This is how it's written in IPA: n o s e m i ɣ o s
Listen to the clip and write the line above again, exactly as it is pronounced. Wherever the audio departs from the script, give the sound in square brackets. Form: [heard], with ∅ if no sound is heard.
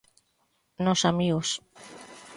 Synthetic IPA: n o s [a] m i ɣ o s